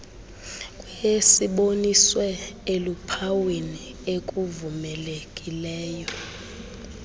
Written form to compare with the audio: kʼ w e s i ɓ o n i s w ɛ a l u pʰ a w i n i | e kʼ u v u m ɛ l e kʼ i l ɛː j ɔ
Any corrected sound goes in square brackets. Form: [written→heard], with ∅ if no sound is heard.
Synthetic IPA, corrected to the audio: kʼ w e s i ɓ o n i s w ɛ [a→e] l u pʰ a w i n i | e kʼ u v u m ɛ l e kʼ i l ɛː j ɔ